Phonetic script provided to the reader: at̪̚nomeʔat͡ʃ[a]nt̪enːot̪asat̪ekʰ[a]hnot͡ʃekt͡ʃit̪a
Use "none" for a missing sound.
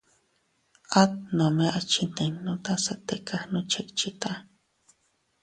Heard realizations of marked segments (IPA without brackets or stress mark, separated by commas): i, a